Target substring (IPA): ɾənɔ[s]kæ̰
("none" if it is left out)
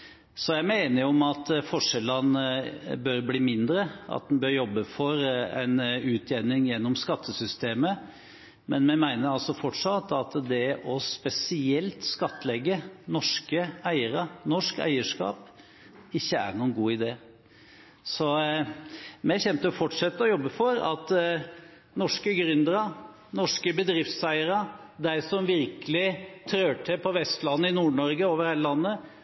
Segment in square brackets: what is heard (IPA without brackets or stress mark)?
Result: ʂ